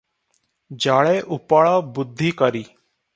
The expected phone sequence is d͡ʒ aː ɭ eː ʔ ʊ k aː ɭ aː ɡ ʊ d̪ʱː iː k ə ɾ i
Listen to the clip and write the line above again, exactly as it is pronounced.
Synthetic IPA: d͡ʒ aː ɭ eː ʔ ʊ p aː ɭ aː b ʊ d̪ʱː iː k ə ɾ iː